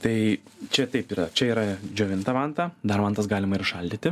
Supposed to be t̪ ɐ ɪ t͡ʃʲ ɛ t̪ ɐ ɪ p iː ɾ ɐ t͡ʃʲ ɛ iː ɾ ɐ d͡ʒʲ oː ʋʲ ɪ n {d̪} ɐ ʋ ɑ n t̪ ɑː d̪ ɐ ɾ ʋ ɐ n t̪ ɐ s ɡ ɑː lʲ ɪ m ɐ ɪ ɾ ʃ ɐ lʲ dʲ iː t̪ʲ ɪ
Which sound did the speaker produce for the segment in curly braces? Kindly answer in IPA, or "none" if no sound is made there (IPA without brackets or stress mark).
t̪